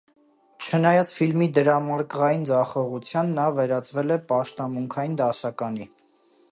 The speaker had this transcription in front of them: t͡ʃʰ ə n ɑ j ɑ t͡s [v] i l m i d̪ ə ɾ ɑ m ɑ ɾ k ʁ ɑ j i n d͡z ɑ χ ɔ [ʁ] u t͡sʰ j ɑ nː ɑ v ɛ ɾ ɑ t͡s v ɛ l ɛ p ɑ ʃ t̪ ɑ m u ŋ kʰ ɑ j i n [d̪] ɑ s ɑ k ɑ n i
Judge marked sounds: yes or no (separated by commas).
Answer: no, yes, yes